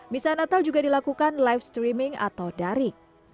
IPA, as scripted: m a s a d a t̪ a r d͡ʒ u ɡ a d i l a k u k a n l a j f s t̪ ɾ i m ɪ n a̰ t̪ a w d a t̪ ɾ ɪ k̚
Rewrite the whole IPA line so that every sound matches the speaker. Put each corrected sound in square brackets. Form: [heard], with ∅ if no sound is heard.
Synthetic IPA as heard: m [i] s a [n] a t̪ a [l] d͡ʒ u ɡ a d i l a k u k a n l a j f s t̪ ɾ i m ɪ [ŋ] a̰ t̪ a w d a [∅] ɾ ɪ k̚